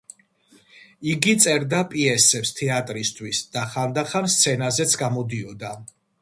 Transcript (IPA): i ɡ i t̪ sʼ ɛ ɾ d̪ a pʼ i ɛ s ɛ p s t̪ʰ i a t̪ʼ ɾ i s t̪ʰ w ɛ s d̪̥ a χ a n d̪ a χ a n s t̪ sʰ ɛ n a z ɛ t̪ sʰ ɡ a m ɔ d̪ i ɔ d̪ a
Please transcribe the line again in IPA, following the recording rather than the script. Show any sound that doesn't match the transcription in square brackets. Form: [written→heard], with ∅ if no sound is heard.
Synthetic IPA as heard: i ɡ i t̪ sʼ ɛ ɾ d̪ a pʼ i ɛ s ɛ p s t̪ʰ [i→ɛ] a t̪ʼ ɾ i s t̪ʰ w [ɛ→i] s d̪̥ a χ a n d̪ a χ a n s t̪ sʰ ɛ n a z ɛ t̪ sʰ ɡ a m ɔ d̪ i ɔ d̪ a